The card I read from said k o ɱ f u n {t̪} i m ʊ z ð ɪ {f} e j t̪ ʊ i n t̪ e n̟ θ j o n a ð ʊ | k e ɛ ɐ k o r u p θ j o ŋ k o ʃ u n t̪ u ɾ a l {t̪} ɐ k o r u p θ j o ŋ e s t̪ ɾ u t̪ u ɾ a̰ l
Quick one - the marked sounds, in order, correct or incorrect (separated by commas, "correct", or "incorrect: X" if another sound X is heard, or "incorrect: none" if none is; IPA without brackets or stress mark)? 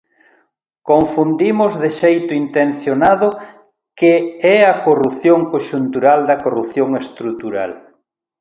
incorrect: d̪, incorrect: ʃ, incorrect: d̪